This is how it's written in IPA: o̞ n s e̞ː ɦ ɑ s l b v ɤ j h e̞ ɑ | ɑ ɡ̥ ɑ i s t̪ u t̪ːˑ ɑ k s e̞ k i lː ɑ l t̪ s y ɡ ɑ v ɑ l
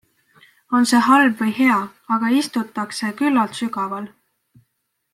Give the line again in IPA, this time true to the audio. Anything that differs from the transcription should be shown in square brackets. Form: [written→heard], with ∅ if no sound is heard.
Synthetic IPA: o̞ n s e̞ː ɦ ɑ [s→∅] l b v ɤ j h e̞ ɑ | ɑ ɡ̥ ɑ i s t̪ u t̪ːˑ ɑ k s e̞ k [i→y] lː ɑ l t̪ s y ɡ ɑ v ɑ l